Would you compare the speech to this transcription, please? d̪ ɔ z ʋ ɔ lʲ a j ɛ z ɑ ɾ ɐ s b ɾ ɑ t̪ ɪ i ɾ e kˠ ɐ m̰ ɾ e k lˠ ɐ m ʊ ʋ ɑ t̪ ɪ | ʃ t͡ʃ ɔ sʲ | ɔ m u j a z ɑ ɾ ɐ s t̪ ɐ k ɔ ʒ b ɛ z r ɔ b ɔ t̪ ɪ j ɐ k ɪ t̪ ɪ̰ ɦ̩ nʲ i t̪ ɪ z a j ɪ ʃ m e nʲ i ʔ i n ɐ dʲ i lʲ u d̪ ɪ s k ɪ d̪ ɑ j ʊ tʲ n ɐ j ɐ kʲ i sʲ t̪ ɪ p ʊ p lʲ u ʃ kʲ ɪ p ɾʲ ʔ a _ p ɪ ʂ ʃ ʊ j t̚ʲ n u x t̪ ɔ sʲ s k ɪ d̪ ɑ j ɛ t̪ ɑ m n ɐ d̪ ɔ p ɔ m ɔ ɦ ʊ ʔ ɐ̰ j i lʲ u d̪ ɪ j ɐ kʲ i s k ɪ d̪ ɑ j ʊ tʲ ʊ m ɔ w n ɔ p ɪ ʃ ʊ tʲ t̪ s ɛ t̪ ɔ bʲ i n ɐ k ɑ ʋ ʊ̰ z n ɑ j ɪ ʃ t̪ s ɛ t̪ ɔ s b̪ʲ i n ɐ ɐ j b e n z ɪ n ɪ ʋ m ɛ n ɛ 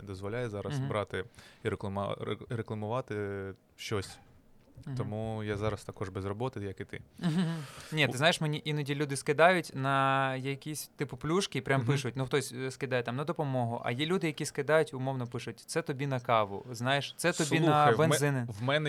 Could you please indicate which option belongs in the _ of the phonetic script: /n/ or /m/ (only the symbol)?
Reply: m